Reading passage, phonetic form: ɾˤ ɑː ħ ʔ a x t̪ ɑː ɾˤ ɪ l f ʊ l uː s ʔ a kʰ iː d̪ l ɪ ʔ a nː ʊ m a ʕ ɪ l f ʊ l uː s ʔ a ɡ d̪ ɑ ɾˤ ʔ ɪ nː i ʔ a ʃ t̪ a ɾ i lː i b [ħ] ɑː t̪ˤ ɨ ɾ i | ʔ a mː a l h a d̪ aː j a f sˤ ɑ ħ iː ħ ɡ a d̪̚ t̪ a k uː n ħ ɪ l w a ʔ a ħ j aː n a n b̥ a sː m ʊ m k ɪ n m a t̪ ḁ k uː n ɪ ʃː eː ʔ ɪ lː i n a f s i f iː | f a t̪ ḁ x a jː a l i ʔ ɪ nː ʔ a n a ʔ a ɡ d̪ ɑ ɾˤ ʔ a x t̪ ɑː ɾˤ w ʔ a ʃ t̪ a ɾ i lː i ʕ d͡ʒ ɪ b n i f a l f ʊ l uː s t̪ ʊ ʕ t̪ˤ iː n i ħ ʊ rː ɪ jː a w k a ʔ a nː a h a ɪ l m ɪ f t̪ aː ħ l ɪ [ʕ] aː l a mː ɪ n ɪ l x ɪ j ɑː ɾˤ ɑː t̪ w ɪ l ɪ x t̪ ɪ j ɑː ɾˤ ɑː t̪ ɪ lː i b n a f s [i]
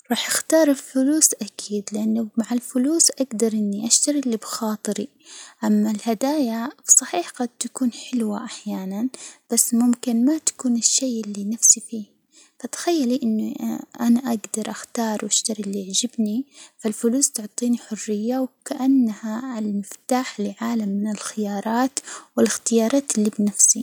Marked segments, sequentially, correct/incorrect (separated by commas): incorrect, correct, correct